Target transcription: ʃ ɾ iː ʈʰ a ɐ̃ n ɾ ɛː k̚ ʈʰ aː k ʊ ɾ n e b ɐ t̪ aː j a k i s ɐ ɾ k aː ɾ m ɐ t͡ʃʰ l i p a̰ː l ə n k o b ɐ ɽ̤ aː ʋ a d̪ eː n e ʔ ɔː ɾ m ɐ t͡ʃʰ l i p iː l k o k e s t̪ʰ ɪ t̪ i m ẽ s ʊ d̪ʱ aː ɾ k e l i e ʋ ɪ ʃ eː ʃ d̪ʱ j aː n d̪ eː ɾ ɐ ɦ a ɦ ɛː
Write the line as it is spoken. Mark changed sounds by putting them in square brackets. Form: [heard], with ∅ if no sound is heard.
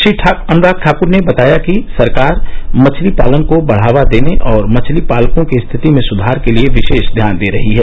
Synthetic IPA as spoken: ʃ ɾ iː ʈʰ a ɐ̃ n ɾ [aː] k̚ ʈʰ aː k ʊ ɾ n e b ɐ t̪ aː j a k i s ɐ ɾ k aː ɾ m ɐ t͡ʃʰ l i p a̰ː l ə n k o b ɐ ɽ̤ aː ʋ a d̪ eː n e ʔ ɔː ɾ m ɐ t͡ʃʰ l i p [aː] l k [õ] k e s t̪ʰ ɪ t̪ i m ẽ s ʊ d̪ʱ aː ɾ k e l i e ʋ ɪ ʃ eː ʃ d̪ʱ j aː n d̪ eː ɾ ɐ ɦ [i] ɦ ɛː